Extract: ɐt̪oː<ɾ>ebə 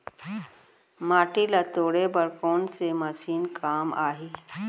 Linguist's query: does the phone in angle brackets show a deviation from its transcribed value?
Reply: yes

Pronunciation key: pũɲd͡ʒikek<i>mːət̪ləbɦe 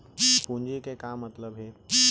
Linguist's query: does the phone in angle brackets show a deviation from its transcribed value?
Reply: yes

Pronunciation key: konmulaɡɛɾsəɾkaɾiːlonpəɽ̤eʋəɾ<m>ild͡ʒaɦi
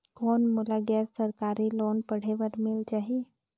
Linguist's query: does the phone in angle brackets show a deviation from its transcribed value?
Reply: no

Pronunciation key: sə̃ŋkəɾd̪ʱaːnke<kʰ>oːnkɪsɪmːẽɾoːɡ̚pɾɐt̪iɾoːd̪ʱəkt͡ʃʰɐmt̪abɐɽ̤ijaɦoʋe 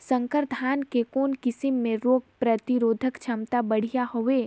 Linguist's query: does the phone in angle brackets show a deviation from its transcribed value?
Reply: yes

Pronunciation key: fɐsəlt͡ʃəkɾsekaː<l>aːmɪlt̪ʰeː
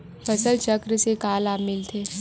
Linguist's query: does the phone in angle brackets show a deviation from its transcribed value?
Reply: no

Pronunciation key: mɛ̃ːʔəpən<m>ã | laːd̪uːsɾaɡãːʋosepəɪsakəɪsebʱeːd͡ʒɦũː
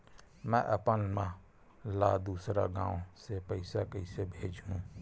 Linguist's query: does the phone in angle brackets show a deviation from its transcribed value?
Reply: no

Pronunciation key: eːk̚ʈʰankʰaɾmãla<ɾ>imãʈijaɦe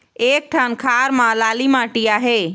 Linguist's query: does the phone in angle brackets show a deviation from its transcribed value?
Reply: yes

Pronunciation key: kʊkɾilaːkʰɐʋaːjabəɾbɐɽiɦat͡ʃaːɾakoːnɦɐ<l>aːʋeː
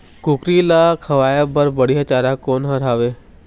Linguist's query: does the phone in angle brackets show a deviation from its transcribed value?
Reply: yes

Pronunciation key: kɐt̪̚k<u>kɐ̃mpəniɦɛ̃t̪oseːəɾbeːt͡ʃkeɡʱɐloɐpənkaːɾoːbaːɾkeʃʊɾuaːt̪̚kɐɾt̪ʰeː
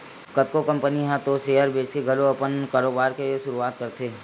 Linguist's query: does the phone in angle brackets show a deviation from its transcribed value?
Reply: yes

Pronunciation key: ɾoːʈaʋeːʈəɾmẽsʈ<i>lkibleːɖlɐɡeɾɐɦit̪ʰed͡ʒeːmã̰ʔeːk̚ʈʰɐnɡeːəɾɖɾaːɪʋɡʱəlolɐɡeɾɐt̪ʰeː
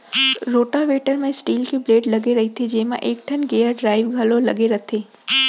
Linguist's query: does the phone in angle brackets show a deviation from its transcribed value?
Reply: yes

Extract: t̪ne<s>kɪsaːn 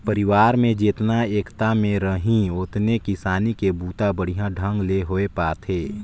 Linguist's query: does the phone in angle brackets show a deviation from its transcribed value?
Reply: yes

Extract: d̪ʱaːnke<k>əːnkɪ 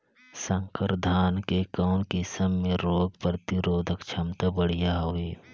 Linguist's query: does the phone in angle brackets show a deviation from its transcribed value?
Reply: no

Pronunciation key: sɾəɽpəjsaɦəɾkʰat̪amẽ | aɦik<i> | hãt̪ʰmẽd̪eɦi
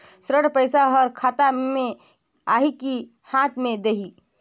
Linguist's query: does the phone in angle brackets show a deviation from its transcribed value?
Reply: no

